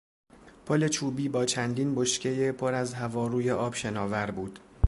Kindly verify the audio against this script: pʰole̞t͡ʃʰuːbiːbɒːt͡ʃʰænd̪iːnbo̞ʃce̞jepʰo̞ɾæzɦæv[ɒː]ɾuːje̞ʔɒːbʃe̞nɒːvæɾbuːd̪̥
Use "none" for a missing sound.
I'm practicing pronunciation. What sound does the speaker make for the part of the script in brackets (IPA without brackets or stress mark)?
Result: ɒː